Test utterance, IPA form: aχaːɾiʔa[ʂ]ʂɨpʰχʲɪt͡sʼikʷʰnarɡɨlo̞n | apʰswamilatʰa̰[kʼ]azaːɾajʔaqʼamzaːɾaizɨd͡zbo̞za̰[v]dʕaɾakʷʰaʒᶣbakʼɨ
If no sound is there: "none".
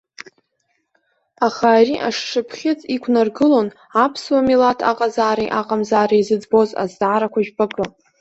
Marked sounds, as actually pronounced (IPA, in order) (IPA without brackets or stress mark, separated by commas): ʂ, qʼ, z